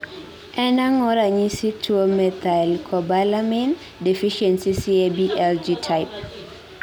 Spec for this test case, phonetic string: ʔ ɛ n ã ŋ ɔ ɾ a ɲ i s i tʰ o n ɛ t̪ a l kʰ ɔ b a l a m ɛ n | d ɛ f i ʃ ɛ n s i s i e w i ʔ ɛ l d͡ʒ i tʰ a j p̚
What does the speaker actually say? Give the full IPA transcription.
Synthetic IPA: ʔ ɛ n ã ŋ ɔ ɾ a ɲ i s i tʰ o m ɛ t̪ a l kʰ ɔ b a l a m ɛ n | d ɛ f i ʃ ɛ n s i s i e b i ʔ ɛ l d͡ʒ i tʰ a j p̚